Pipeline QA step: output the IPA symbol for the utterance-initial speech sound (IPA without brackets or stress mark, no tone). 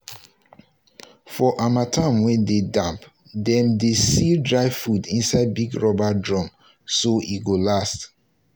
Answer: f